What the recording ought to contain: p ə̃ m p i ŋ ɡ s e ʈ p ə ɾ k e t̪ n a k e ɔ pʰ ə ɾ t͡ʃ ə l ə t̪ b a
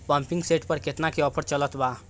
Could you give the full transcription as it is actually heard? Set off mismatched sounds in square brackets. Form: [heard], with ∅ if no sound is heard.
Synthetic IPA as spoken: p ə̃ m p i ŋ ɡ s e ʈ p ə ɾ k e t̪ n a k e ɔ pʰ ə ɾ t͡ʃ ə l ə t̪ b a